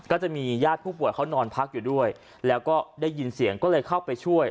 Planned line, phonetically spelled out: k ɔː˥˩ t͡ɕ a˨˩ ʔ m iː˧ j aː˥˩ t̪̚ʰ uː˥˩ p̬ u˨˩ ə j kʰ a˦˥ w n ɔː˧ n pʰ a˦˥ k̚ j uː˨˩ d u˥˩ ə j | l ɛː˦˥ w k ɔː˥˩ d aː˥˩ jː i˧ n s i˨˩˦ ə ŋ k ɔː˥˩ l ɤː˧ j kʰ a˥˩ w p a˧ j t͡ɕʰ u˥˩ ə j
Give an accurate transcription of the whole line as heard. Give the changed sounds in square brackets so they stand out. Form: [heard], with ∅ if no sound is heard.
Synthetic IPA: k ɔː˥˩ t͡ɕ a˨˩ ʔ m iː˧ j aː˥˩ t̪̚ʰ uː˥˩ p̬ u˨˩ ə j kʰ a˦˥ w n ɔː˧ n pʰ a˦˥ k̚ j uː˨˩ d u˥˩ ə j | l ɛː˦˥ w k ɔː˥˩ d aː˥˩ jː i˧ n s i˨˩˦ ə ŋ k ɔː˥˩ l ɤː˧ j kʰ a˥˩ w p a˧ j t͡ɕʰ u˥˩ ə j